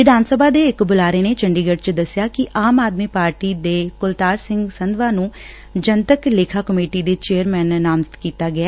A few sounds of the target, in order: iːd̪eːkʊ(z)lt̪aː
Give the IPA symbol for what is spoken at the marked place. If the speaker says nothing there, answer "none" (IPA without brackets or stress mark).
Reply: none